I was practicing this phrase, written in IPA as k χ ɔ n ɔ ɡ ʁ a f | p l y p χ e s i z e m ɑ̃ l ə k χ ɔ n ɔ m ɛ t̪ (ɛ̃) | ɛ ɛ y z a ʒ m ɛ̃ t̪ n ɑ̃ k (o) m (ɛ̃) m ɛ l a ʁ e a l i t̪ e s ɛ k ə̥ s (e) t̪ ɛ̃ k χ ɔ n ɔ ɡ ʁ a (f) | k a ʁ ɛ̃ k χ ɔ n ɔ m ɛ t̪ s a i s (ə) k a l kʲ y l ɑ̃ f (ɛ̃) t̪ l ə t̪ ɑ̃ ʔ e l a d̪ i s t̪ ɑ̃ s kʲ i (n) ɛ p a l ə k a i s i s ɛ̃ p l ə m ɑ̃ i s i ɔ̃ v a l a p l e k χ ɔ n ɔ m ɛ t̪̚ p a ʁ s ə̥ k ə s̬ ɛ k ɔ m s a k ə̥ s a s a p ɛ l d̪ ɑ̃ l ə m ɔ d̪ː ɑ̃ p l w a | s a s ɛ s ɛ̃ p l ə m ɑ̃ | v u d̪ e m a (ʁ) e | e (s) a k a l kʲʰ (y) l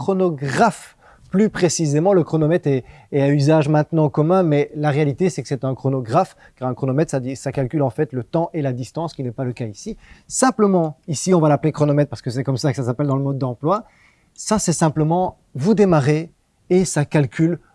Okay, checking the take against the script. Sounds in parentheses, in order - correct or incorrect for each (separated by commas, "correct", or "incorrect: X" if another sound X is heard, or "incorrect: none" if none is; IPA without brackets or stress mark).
incorrect: ɛ, incorrect: ɔ, correct, incorrect: ɛ, correct, incorrect: a, incorrect: ɛ, correct, correct, correct, correct